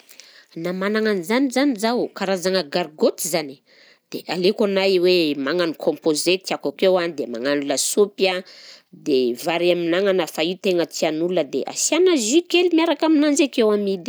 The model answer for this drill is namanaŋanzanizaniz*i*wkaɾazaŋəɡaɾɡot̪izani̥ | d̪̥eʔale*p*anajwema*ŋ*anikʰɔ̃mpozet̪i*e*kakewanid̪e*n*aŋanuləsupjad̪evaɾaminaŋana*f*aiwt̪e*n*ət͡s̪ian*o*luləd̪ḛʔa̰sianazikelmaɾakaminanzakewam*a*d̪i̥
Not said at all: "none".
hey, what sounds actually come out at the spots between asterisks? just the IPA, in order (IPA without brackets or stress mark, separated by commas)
a, k, ŋ, a, m, f, ŋ, u, i